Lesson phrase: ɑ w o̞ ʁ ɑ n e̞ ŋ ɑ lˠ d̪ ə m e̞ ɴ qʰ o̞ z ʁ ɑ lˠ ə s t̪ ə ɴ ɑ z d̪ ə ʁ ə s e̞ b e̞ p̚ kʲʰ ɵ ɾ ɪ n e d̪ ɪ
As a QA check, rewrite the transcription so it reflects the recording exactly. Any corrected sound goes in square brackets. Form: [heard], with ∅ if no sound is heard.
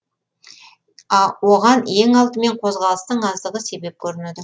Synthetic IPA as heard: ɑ w o̞ ʁ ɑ n e̞ ŋ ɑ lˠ [t̪] ə m e̞ ɴ qʰ o̞ z ʁ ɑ lˠ ə s t̪ ə ɴ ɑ z d̪ ə ʁ ə s e̞ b e̞ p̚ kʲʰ ɵ ɾ ɪ n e d̪ ɪ